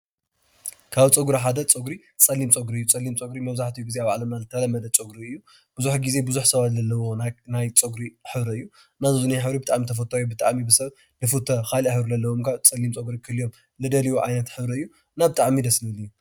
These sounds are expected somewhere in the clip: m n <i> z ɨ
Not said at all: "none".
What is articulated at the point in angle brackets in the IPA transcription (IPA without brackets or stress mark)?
a